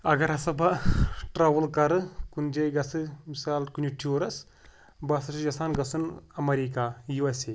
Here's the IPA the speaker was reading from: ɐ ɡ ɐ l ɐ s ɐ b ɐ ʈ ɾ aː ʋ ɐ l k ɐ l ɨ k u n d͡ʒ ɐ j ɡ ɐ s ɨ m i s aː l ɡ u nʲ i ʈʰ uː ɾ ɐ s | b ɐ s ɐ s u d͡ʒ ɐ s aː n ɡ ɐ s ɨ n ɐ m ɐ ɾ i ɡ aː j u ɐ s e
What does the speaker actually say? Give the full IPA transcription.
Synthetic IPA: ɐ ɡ ɐ ɾ ɐ s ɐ b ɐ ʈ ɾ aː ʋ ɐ l k ɐ ɾ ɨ k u n d͡ʒ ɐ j ɡ ɐ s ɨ m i s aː l k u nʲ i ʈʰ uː ɾ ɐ s | b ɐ s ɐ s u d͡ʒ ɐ s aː n ɡ ɐ s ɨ n ɐ m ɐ ɾ i k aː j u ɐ s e